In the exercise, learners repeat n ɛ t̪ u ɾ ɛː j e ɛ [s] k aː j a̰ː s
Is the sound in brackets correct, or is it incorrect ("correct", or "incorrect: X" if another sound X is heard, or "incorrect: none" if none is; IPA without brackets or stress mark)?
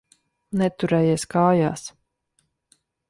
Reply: correct